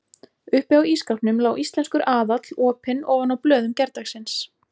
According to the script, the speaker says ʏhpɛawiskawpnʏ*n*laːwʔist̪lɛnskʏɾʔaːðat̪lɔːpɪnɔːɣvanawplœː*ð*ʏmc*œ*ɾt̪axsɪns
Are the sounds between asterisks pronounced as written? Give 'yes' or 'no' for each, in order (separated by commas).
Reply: no, yes, no